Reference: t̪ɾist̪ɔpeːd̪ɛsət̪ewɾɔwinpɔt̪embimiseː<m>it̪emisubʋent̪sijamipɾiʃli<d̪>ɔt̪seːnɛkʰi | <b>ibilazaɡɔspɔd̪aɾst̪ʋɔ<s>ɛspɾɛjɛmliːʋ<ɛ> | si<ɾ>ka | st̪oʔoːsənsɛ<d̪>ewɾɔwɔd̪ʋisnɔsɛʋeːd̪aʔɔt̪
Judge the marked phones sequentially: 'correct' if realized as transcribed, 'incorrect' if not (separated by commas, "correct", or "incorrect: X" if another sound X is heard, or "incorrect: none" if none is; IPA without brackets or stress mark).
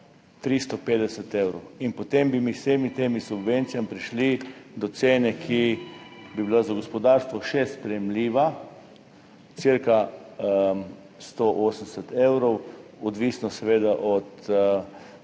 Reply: correct, correct, correct, incorrect: ʃ, incorrect: a, correct, incorrect: t̪